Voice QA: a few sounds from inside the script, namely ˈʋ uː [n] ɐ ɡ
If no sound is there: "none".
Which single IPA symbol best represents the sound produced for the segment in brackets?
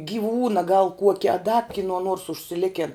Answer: n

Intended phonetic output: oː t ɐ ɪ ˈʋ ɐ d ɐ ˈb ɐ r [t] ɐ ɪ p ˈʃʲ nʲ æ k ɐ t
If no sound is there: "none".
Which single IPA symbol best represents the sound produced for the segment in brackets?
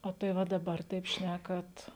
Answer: t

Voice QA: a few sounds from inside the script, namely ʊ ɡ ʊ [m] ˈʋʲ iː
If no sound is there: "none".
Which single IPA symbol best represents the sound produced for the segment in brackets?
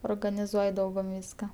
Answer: m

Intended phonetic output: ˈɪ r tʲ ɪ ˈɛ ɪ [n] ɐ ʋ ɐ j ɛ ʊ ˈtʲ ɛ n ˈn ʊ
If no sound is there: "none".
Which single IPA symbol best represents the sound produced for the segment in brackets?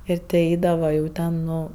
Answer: d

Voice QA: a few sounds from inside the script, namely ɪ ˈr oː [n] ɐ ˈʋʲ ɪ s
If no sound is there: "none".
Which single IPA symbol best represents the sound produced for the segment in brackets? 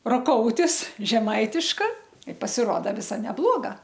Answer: d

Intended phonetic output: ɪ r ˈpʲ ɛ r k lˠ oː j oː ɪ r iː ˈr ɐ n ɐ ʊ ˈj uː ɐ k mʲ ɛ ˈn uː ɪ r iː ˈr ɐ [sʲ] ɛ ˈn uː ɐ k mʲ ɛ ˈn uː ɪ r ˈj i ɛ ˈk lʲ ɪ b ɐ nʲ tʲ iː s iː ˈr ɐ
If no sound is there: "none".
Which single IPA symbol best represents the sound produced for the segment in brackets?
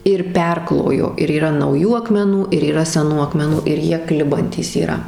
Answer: sʲ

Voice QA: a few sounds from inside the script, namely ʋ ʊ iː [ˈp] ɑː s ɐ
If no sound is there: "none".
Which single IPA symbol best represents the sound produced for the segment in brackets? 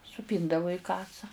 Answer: k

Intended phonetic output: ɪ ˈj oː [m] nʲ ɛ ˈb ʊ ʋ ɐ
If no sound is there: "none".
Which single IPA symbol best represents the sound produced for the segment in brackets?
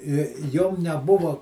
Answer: m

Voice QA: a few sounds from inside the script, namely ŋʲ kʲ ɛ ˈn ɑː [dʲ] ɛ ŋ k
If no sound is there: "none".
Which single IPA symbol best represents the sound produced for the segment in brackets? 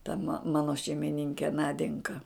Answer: dʲ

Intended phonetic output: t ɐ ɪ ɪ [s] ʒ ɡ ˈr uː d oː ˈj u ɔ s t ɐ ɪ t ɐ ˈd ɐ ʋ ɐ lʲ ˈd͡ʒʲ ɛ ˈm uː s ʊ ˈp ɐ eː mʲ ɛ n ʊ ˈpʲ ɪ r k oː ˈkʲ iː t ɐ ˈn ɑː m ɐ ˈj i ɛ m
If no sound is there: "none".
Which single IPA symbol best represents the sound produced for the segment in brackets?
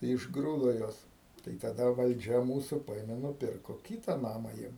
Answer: none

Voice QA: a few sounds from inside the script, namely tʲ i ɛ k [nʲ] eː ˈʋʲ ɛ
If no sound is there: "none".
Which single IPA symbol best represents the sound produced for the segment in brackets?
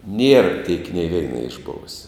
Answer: nʲ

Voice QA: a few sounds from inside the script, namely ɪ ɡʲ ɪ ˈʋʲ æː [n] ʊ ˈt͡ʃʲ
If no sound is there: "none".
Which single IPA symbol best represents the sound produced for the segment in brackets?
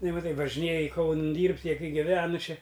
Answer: n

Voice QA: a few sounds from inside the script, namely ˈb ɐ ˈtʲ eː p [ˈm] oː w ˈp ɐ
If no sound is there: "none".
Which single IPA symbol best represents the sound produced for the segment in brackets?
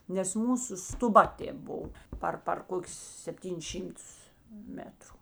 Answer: b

